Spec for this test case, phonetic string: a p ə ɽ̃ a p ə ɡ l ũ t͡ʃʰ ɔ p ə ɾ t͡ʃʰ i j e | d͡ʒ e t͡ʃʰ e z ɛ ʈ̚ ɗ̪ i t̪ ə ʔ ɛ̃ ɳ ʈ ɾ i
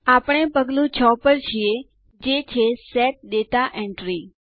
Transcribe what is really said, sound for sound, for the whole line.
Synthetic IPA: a p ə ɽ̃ e p ə ɡ l ũ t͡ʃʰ ɔ p ə ɾ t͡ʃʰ i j e | d͡ʒ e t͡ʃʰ e s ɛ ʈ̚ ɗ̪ e t̪ a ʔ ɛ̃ ɳ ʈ ɾ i